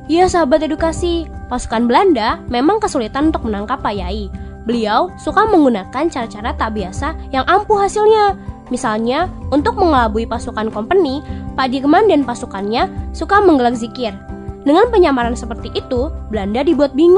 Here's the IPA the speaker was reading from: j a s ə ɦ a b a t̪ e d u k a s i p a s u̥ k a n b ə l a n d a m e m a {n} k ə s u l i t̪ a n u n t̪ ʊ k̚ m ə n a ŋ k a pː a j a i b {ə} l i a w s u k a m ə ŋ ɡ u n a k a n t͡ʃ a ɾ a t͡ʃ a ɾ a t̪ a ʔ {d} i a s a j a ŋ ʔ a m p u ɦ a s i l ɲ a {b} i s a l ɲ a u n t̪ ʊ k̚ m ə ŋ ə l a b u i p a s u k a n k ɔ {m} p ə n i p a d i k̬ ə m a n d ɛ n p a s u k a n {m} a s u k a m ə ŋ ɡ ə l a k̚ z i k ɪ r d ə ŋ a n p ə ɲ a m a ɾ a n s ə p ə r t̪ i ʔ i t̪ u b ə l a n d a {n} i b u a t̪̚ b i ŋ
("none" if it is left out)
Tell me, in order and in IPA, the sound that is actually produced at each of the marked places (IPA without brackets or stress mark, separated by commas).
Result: ŋ, ə, b, m, m, ɲ, d